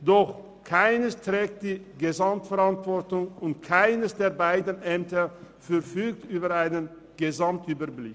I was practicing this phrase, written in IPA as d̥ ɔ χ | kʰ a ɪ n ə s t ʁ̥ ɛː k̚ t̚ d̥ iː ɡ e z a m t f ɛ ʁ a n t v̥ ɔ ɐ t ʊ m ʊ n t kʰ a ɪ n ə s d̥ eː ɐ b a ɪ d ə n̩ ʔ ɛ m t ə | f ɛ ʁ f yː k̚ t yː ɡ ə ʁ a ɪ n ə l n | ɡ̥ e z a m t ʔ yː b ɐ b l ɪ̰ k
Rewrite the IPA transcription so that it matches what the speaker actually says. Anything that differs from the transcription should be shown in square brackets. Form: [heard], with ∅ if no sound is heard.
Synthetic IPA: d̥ ɔ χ | kʰ a ɪ n ə s t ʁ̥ ɛː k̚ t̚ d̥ iː ɡ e z a m t f ɛ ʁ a n t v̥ ɔ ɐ t ʊ [ŋ] ʊ n t kʰ a ɪ n ə s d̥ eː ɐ b a ɪ d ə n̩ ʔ ɛ m t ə | f ɛ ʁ f yː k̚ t yː [b] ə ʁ a ɪ n ə [∅] n | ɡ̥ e z a m t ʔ yː b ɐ b l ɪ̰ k